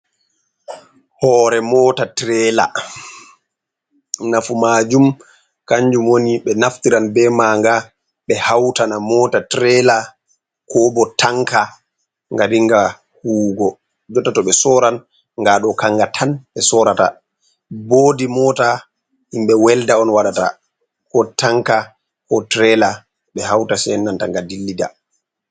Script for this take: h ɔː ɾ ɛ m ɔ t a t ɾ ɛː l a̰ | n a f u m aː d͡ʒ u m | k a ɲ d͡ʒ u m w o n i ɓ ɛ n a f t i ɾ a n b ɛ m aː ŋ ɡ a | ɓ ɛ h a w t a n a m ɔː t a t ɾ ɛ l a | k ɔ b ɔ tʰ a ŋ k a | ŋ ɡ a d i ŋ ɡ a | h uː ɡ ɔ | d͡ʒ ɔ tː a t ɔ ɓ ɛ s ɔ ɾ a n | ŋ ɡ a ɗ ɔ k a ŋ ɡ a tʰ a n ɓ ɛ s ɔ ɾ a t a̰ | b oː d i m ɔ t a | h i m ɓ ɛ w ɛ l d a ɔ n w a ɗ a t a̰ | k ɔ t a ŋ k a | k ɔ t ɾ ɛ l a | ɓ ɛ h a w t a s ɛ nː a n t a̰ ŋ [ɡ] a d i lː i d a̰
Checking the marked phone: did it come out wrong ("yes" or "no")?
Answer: no